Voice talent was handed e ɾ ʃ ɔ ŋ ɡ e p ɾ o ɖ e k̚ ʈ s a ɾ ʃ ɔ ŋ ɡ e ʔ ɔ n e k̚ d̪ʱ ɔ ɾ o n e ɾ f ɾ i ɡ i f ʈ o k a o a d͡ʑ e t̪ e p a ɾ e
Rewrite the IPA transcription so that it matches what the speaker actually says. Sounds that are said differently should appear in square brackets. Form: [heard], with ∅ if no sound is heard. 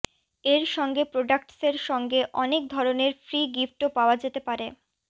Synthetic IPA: e ɾ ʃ ɔ ŋ ɡ e p ɾ o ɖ [a] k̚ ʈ s [e] ɾ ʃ ɔ ŋ ɡ e ʔ ɔ n e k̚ d̪ʱ ɔ ɾ o n e ɾ f ɾ i ɡ i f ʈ o [p] a o a d͡ʑ e t̪ e p a ɾ e